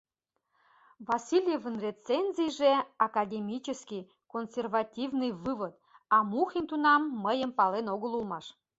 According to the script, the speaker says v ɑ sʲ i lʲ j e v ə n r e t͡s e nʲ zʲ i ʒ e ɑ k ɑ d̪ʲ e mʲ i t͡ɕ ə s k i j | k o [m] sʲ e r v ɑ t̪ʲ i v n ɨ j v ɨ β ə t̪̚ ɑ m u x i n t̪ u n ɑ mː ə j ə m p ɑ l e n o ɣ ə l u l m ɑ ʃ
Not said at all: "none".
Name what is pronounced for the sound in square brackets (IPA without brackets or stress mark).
n